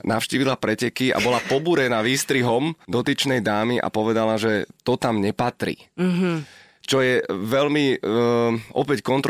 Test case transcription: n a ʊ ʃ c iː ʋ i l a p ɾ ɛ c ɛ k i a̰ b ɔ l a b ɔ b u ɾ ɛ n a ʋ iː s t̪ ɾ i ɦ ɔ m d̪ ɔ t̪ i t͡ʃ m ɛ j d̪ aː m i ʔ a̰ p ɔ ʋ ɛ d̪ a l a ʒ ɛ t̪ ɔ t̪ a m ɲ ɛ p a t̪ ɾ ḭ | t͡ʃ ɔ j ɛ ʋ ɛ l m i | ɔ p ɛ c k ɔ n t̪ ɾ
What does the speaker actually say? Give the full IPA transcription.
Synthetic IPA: n a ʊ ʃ c iː ʋ i l a p ɾ ɛ c ɛ k i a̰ b ɔ l a p ɔ b u ɾ ɛ n a ʋ iː s t̪ ɾ i ɦ ɔ m d̪ ɔ t̪ i t͡ʃ n ɛ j d̪ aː m i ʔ a̰ p ɔ ʋ ɛ d̪ a l a ʒ ɛ t̪ ɔ t̪ a m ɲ ɛ p a t̪ ɾ ḭ | t͡ʃ ɔ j ɛ ʋ ɛ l m i | ɔ p ɛ c k ɔ n t̪ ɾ